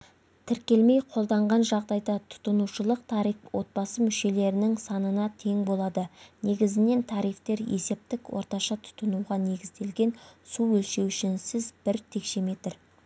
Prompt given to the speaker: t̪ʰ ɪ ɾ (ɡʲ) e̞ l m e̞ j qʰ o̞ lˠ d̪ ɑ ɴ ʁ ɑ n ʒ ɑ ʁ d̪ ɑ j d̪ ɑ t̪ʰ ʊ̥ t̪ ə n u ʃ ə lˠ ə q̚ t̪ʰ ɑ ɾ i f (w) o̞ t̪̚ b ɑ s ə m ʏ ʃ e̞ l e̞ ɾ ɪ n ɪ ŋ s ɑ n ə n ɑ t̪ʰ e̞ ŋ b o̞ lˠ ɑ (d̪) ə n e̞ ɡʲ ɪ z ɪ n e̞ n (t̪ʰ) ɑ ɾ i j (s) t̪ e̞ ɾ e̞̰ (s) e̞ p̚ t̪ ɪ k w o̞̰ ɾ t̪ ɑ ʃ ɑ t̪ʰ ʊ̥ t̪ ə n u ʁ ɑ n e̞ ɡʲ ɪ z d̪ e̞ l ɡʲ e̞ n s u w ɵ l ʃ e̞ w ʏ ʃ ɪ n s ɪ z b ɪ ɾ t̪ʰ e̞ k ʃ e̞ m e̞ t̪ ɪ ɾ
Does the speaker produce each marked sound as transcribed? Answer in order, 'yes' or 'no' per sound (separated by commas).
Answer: no, yes, yes, yes, no, yes